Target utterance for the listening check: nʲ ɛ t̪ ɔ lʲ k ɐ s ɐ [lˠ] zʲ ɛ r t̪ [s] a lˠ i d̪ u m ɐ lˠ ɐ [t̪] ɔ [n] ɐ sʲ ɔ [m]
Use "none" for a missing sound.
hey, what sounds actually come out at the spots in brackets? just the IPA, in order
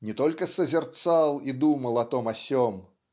none, s, t̪, m, m

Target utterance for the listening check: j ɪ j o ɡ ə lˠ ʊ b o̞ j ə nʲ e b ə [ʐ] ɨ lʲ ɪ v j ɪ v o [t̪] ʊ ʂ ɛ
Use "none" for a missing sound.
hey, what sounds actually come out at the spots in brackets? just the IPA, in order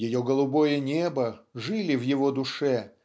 ʐ, d̪

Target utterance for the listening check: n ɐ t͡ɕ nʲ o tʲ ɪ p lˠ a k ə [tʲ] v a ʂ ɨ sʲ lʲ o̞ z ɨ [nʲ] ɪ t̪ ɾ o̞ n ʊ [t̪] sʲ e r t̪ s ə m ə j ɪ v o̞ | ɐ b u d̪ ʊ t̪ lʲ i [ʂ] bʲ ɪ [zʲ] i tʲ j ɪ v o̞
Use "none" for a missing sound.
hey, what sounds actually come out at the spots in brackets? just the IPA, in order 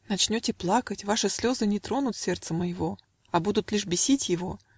tʲ, nʲ, t̪, ʂ, sʲ

